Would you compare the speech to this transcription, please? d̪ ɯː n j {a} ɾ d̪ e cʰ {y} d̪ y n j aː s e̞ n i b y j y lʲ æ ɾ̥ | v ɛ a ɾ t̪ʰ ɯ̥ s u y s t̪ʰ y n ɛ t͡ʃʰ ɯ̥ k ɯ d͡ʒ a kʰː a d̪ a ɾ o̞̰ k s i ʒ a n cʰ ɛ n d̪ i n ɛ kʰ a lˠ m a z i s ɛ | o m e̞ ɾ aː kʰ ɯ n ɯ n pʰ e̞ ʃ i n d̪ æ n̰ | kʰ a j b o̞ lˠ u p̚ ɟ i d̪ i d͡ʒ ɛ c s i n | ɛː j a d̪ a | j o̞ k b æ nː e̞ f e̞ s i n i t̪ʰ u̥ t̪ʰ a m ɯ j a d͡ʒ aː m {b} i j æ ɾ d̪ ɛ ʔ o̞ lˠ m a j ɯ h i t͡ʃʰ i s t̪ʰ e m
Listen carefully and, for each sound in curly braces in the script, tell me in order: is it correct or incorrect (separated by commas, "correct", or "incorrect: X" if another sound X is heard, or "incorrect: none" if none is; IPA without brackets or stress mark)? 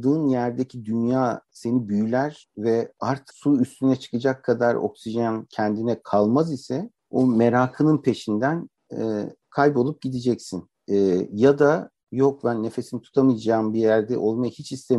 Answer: incorrect: æ, incorrect: i, correct